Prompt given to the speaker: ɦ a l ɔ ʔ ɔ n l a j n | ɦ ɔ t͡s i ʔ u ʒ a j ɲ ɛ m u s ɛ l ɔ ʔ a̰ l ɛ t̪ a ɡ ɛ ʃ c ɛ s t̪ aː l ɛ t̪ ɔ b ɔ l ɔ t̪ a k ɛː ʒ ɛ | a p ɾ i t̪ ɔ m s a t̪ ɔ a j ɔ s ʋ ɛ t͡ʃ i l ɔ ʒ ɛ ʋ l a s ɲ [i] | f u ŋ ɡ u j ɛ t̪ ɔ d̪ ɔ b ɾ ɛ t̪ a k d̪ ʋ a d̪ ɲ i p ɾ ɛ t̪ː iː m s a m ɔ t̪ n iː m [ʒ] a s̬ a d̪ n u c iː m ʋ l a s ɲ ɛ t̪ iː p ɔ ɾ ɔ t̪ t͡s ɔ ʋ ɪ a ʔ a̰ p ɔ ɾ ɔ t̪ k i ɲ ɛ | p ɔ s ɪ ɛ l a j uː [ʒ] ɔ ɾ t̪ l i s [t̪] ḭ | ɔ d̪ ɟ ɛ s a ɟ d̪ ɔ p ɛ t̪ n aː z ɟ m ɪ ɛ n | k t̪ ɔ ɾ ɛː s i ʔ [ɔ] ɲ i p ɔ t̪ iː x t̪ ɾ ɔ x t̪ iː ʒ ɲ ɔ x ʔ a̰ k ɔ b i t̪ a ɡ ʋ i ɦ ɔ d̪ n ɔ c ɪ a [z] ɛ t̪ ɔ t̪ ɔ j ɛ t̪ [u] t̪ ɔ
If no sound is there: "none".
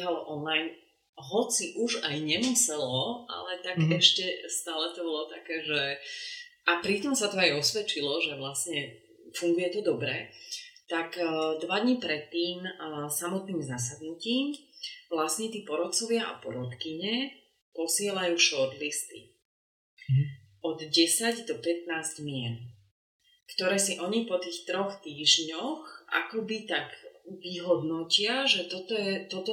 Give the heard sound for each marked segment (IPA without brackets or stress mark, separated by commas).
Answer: ɛ, z, ʃ, t̪, ɔ, ʒ, ɔ